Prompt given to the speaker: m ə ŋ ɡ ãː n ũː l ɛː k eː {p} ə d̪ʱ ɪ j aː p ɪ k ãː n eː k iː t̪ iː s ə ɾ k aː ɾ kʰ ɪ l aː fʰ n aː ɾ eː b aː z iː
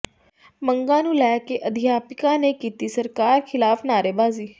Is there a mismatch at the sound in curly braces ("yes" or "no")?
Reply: yes